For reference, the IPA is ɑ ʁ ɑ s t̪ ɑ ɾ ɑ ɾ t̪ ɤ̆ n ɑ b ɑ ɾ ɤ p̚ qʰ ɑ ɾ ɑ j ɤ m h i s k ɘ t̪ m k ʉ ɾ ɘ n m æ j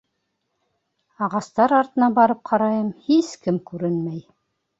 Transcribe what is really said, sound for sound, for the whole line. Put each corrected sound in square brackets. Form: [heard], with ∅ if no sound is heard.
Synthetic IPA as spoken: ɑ ʁ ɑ s t̪ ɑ ɾ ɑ ɾ t̪ ɤ̆ n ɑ b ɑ ɾ ɤ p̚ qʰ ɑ ɾ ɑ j ɤ m h i s k ɘ [∅] m k ʉ ɾ ɘ n m æ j